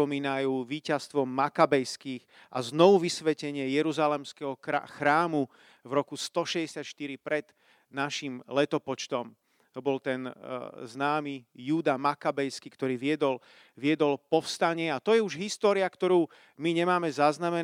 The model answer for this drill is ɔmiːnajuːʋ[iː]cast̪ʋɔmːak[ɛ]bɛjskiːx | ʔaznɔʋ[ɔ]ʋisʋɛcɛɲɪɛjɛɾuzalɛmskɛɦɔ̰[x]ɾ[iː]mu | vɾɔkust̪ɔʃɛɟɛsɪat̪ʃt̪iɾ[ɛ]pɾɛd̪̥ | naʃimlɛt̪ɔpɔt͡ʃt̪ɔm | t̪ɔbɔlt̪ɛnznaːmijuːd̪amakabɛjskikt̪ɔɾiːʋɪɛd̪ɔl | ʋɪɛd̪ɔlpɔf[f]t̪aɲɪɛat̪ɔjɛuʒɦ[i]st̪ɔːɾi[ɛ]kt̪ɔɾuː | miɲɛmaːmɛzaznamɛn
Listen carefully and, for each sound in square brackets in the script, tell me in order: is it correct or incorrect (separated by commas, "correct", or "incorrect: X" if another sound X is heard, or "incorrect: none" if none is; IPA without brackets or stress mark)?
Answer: correct, incorrect: a, incorrect: u, correct, incorrect: aː, incorrect: i, incorrect: s, correct, incorrect: a